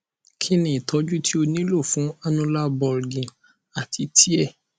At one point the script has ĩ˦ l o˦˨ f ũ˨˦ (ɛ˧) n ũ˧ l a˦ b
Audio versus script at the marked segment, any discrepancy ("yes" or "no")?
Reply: yes